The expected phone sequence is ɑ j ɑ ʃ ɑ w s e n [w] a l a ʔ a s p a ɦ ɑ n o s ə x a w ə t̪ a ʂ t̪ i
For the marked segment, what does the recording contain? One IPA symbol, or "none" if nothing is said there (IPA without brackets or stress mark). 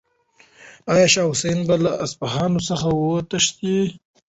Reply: b